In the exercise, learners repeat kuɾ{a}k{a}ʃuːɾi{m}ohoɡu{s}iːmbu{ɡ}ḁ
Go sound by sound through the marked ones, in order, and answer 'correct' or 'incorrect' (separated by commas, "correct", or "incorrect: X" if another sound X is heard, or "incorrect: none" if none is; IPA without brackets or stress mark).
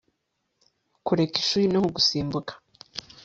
incorrect: e, incorrect: i, incorrect: n, correct, incorrect: k